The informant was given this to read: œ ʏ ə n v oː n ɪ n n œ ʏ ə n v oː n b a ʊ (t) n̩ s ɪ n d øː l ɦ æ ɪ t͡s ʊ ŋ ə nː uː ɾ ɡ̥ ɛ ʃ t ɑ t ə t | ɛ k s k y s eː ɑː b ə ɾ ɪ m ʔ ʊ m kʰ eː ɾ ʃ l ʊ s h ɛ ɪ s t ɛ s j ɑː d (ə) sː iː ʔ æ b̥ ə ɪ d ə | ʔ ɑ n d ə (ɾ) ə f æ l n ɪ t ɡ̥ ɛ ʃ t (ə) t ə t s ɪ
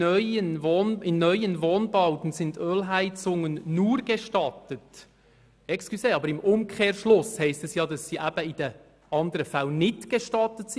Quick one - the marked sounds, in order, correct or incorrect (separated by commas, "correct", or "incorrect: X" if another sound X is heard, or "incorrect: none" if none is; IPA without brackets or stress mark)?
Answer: correct, incorrect: ɑ, correct, incorrect: ɑ